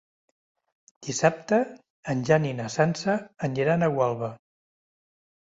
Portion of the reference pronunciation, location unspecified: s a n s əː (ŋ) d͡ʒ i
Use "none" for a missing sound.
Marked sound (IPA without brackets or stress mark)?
n